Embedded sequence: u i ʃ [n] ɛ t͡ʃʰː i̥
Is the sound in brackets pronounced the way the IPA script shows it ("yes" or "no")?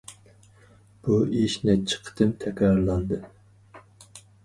yes